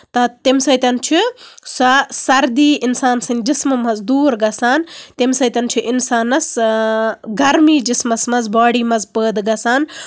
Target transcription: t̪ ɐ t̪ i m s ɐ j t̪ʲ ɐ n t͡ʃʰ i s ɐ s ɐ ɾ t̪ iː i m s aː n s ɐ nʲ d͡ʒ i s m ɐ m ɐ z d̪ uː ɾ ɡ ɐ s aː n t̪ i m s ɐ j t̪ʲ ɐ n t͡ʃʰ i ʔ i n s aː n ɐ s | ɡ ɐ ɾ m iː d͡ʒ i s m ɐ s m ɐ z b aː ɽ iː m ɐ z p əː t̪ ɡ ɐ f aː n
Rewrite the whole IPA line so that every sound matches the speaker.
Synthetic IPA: t̪ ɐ t̪ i m s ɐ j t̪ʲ ɐ n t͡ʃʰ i s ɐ s ɐ ɾ d̪ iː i n s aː n s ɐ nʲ d͡ʒ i s m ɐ m ɐ z d̪ uː ɾ ɡ ɐ s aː n t̪ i m s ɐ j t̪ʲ ɐ n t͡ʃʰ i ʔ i n s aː n ɐ s | ɡ ɐ ɾ m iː d͡ʒ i s m ɐ s m ɐ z b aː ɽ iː m ɐ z p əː d̪ ɡ ɐ s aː n